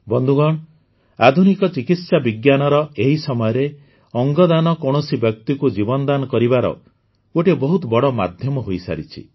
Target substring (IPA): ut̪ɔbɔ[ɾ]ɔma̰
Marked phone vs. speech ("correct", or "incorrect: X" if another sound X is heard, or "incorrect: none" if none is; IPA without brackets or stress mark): incorrect: ɽ